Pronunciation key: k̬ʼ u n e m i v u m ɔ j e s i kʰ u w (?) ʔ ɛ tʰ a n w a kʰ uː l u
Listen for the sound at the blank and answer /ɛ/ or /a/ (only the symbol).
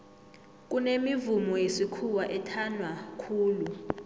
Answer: a